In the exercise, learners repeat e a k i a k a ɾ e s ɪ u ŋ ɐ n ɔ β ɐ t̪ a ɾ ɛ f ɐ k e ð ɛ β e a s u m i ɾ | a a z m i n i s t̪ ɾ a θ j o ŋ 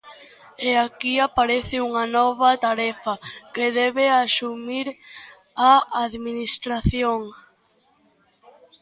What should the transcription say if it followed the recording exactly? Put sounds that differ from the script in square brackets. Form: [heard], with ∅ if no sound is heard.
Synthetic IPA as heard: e a k i a [p] a ɾ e [θ] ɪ u ŋ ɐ n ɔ β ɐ t̪ a ɾ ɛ f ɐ k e ð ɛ β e a s u m i ɾ | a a [ð] m i n i s t̪ ɾ a θ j o ŋ

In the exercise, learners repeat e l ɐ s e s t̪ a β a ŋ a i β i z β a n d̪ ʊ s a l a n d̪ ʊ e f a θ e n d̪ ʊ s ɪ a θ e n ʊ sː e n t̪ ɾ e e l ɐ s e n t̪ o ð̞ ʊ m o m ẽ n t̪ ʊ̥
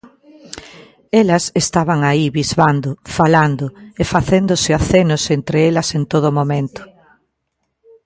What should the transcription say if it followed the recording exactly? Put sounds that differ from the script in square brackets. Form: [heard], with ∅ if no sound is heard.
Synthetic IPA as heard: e l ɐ s e s t̪ a β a ŋ a i β i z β a n d̪ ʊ [f] a l a n d̪ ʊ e f a θ e n d̪ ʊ s ɪ a θ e n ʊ [s] e n t̪ ɾ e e l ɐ s e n t̪ o ð̞ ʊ m o m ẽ n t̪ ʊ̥

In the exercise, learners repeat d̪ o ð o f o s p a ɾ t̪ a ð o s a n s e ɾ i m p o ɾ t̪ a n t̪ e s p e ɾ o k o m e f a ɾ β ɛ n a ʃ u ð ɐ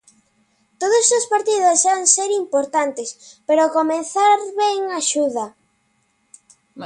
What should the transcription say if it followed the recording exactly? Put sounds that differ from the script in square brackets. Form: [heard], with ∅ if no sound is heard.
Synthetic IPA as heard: [t̪] o ð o [s] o s p a ɾ t̪ [i] ð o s a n s e ɾ i m p o ɾ t̪ a n t̪ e s p e ɾ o k o m e [θ] a ɾ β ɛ [ŋ] a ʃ u ð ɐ

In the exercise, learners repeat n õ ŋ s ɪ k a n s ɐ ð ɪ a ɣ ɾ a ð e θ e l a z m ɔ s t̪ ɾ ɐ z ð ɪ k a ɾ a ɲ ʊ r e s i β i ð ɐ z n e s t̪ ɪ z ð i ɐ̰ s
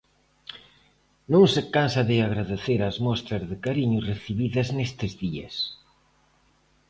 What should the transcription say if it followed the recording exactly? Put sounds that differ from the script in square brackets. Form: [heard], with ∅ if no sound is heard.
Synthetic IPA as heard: n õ ŋ s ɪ k a n s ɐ ð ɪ a ɣ ɾ a ð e θ e [ɾ] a z m ɔ s t̪ ɾ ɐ z ð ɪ k a ɾ [i] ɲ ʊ r e [θ] i β i ð ɐ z n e s t̪ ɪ z ð i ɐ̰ s

